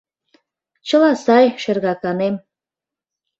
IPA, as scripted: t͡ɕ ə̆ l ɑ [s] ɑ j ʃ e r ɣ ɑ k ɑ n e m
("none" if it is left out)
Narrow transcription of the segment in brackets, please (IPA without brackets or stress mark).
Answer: s